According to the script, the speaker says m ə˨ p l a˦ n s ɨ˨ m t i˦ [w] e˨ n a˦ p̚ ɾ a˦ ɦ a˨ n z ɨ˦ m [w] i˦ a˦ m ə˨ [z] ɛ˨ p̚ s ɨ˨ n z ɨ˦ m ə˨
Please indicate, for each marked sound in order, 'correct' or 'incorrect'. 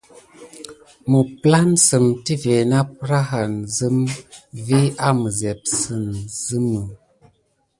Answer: incorrect: v, incorrect: v, correct

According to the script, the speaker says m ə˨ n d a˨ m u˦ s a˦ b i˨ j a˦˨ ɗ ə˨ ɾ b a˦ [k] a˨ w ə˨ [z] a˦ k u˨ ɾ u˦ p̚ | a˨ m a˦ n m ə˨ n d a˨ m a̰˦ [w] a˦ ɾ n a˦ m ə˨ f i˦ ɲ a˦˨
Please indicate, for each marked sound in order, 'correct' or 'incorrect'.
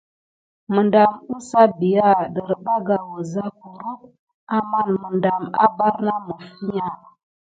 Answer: incorrect: ɡ, correct, incorrect: b

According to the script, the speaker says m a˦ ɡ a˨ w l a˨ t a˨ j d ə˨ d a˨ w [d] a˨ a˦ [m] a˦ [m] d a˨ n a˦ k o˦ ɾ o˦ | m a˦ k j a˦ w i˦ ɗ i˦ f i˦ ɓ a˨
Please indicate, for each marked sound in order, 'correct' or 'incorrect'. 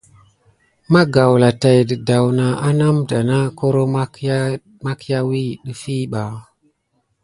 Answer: incorrect: n, incorrect: n, correct

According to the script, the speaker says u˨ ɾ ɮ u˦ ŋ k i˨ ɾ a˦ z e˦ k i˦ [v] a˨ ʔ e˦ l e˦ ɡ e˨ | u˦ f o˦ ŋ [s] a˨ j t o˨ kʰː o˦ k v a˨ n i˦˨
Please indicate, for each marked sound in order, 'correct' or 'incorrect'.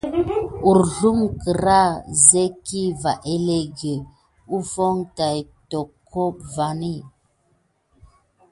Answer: correct, incorrect: t

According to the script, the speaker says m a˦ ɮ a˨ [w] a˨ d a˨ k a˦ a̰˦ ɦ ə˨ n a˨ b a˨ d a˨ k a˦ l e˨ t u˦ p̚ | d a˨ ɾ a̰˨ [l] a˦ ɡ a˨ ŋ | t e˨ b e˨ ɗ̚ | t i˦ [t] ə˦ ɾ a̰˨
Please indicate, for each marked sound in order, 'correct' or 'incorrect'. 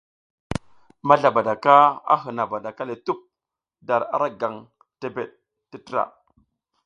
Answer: incorrect: b, incorrect: ɾ, correct

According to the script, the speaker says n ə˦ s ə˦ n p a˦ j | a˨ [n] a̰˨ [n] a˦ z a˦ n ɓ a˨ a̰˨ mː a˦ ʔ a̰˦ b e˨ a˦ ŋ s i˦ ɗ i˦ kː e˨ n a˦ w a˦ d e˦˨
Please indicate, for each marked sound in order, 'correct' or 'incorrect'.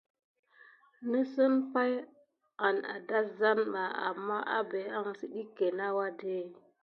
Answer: correct, incorrect: d

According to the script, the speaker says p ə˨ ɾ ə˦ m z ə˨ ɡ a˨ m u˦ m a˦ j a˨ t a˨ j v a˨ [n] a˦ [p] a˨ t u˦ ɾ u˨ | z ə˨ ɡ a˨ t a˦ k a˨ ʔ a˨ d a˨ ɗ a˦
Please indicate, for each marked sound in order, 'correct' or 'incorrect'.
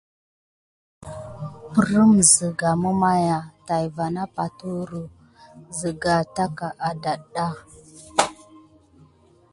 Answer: correct, correct

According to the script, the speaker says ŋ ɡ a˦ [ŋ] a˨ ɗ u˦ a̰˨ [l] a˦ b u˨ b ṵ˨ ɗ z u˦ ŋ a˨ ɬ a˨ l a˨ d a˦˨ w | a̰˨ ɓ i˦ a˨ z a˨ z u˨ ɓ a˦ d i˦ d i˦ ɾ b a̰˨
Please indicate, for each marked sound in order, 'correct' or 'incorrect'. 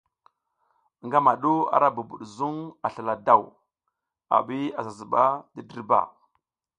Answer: incorrect: m, incorrect: ɾ

